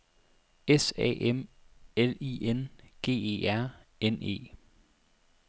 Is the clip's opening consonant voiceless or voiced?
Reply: voiceless